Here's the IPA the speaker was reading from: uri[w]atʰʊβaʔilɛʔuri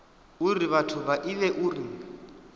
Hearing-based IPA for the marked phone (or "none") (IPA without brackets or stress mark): β